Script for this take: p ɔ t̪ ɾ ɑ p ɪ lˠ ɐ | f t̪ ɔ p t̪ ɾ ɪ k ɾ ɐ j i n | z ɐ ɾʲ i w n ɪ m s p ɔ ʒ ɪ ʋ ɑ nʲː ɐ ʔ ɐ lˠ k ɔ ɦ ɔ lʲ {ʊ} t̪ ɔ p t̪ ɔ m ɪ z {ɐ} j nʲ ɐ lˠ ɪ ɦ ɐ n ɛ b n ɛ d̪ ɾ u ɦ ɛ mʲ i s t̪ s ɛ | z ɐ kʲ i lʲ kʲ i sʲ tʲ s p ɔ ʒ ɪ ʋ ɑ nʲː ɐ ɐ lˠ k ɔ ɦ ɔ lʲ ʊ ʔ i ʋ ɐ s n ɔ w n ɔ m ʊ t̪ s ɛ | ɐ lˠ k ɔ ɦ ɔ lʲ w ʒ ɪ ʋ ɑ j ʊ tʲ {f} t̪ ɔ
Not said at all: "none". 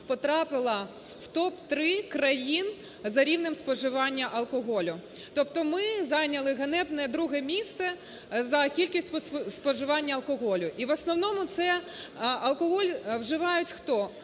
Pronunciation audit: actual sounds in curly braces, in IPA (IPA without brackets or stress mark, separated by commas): ʊ, ɑ, x